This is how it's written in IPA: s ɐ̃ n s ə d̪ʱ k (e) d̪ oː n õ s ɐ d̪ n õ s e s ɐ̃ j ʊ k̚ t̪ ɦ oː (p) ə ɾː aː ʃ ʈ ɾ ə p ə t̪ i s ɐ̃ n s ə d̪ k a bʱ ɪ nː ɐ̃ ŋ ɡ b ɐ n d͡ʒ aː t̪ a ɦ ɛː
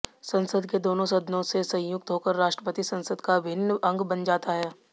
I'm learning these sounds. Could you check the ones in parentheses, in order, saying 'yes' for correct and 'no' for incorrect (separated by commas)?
yes, no